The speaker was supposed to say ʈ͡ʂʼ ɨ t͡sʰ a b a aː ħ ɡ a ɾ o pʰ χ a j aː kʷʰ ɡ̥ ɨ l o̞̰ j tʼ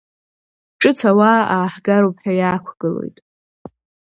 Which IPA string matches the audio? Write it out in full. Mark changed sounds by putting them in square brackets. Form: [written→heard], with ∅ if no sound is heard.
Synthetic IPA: ʈ͡ʂʼ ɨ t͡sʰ a [b→w] a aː ħ ɡ a ɾ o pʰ [χ→ħ] a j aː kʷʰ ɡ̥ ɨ l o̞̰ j tʼ